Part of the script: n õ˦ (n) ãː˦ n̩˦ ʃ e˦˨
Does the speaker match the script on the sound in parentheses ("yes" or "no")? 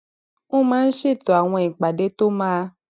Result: no